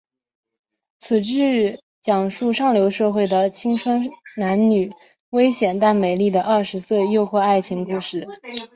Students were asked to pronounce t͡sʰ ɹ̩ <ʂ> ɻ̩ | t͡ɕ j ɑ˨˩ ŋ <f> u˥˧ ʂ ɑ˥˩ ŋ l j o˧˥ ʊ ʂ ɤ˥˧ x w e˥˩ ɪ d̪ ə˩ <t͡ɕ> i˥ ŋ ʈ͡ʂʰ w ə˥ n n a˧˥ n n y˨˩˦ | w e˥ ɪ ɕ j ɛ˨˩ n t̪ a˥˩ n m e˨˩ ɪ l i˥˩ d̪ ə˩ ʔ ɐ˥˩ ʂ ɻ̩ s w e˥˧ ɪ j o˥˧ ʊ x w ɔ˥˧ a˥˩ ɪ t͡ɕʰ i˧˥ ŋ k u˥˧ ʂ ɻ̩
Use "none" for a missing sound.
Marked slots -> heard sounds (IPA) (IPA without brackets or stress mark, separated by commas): ʈ͡ʂ, ʂ, t͡ɕʰ